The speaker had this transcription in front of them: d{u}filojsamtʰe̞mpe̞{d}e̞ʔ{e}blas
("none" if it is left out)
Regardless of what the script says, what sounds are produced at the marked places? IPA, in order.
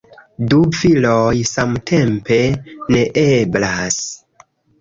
u, n, e

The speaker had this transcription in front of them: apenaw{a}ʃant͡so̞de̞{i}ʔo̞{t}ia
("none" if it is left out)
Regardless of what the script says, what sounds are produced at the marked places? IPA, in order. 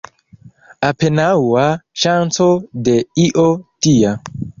a, i, t

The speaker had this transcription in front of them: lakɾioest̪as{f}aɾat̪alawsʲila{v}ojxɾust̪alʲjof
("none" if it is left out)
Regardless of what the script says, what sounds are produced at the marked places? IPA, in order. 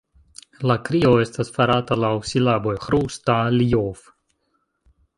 f, b

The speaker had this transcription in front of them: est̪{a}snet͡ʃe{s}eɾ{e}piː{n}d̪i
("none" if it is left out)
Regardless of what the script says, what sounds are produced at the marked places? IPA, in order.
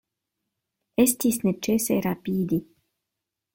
i, s, a, none

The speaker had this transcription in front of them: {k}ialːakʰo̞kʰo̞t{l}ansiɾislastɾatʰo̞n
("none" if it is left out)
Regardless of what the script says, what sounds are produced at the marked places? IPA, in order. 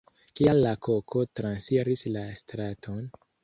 k, ɾ

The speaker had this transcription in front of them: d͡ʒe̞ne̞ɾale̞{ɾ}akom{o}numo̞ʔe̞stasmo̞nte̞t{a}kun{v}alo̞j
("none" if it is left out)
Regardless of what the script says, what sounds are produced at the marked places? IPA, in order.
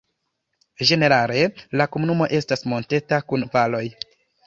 l, u, a, v

